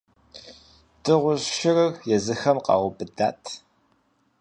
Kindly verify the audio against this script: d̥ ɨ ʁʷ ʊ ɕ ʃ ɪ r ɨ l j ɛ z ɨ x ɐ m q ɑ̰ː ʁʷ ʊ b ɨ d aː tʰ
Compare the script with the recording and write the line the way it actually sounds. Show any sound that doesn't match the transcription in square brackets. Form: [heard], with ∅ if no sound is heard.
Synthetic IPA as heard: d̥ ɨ ʁʷ ʊ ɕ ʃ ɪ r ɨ [r] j ɛ z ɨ x ɐ m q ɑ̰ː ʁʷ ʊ b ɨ d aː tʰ